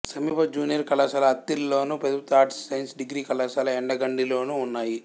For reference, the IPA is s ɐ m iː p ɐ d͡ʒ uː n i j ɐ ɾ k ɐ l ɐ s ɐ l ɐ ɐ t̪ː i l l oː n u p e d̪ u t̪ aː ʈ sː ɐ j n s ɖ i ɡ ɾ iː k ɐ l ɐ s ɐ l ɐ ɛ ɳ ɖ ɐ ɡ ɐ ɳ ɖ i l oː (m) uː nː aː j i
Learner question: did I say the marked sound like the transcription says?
no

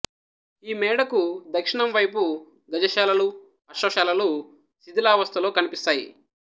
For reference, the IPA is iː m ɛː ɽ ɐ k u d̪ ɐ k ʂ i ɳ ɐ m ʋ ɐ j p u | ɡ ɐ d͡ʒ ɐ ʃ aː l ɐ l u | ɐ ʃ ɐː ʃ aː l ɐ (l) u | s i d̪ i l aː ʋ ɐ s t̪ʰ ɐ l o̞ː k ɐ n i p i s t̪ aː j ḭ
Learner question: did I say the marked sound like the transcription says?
yes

